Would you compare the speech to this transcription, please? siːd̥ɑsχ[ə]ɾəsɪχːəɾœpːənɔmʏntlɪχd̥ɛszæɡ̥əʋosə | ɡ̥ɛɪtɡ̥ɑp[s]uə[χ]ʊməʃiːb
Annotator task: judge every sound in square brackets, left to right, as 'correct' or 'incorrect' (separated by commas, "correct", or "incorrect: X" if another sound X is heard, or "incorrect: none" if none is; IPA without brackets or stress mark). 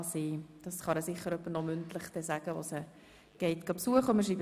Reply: incorrect: ɑ, correct, correct